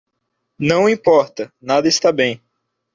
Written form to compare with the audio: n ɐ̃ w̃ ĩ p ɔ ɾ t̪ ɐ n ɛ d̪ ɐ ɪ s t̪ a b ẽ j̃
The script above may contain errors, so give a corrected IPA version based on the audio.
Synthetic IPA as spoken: n ɐ̃ w̃ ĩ p ɔ ɾ t̪ ɐ n a d̪ ɐ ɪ s t̪ a b ẽ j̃